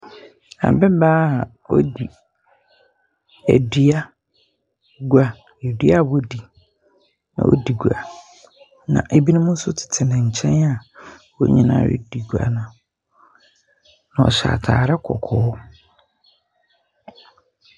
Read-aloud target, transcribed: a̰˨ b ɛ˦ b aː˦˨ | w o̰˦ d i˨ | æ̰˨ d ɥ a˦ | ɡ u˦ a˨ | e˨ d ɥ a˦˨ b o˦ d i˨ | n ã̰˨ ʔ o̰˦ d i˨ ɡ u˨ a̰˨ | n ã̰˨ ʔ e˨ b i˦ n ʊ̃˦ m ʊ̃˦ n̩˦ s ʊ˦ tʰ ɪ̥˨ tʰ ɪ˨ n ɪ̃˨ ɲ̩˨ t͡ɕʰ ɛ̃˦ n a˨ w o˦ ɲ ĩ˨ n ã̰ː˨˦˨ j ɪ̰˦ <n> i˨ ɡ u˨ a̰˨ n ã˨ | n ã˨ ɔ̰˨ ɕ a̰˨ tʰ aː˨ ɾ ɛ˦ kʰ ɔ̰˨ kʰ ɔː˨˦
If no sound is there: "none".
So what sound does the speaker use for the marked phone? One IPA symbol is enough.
d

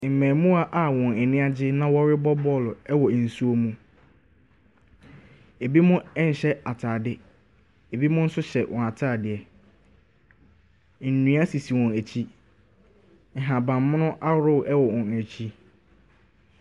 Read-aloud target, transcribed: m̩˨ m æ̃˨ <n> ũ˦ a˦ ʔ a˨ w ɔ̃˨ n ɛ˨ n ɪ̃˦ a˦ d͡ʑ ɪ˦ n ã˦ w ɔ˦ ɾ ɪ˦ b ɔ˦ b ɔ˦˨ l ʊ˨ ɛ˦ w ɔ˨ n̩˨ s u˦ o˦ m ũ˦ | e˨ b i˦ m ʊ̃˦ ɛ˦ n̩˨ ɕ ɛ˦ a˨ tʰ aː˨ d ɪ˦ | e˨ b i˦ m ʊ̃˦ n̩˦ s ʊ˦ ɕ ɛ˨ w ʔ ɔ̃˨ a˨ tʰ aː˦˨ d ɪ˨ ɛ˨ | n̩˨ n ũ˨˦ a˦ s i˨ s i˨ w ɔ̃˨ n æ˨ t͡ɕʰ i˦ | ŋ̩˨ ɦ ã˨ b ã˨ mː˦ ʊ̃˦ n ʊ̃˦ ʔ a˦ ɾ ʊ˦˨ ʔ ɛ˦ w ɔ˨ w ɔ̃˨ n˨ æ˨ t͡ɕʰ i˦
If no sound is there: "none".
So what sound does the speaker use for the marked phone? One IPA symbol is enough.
m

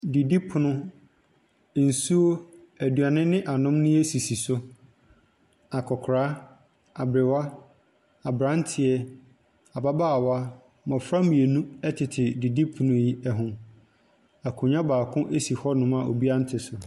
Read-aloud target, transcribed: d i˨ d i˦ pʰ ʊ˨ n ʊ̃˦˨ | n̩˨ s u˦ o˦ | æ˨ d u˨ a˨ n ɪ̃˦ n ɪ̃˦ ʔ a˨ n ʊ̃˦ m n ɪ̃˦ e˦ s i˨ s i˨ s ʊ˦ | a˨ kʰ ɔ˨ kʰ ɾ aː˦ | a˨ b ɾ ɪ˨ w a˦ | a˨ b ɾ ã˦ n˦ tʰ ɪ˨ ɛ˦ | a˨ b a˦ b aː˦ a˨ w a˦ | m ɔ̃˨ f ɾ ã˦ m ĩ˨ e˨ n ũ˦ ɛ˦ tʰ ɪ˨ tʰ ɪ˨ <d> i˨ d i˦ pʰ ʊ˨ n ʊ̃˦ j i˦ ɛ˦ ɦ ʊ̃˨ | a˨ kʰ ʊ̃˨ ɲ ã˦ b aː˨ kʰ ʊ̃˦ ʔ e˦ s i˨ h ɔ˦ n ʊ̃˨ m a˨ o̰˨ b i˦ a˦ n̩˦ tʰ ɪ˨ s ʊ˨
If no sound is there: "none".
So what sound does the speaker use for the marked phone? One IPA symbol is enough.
d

